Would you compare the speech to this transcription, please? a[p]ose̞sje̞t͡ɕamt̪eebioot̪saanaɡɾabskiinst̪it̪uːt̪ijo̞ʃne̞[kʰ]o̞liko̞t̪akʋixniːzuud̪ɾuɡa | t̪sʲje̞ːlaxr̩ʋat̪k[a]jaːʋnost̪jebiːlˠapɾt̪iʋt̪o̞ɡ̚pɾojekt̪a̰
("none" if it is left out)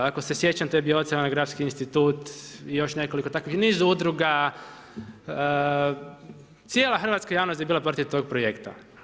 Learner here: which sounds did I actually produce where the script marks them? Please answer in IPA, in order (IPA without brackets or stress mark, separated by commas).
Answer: k, k, a